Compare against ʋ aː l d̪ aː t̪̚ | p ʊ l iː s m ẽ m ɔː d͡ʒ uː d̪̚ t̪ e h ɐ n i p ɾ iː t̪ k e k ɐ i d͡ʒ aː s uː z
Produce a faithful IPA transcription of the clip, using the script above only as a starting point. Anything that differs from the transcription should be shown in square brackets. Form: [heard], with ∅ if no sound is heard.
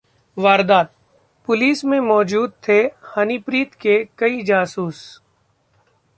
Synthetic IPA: ʋ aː [ɾ] d̪ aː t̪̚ | p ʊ l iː s m ẽ m ɔː d͡ʒ uː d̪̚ [t̪ʰ] e h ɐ n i p ɾ iː t̪ k e k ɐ i d͡ʒ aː s uː [s]